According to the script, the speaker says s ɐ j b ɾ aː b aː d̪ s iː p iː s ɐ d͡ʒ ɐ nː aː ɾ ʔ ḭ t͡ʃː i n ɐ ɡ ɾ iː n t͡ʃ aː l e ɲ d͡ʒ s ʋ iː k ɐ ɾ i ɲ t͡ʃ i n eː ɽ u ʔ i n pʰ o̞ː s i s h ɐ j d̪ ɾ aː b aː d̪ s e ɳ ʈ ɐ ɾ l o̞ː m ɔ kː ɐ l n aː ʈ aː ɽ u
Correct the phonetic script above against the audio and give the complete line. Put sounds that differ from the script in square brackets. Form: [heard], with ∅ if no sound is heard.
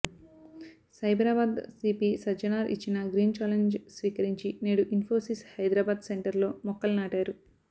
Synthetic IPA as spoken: s ɐ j b ɾ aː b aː d̪ s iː p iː s ɐ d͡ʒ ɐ [n] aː ɾ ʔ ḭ t͡ʃː i n ɐ ɡ ɾ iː n t͡ʃ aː l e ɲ d͡ʒ s ʋ iː k ɐ ɾ i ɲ t͡ʃ i n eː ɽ u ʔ i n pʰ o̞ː s i s h ɐ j d̪ ɾ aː b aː d̪ s e ɳ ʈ ɐ ɾ l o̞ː m ɔ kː ɐ l n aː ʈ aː [ɾ] u